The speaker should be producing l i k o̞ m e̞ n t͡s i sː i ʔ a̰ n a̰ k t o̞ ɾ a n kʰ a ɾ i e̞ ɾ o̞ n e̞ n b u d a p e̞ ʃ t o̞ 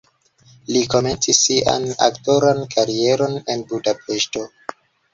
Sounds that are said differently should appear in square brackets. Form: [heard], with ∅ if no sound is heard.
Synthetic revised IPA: l i k o̞ m e̞ n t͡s i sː i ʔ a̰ n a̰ k t o̞ ɾ a n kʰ a ɾ i e̞ ɾ o̞ n e̞ n b u d a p e̞ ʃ t o̞